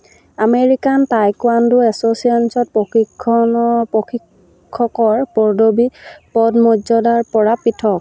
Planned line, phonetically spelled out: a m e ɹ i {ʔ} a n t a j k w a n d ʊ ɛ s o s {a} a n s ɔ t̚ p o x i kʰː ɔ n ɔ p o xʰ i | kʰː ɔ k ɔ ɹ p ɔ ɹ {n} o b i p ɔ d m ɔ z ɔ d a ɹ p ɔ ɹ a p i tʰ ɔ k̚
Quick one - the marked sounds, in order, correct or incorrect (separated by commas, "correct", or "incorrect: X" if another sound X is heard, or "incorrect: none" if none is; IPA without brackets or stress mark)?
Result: incorrect: k, incorrect: i, incorrect: d